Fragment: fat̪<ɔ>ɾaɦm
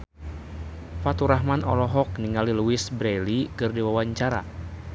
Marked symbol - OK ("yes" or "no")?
no